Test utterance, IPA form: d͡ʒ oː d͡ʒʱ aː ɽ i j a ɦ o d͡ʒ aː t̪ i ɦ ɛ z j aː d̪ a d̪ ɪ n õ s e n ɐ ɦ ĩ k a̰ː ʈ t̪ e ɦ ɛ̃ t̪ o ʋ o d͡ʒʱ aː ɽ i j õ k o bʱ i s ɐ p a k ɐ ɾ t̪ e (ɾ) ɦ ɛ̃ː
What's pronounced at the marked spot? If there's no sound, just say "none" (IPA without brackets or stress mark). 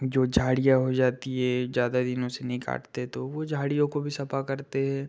none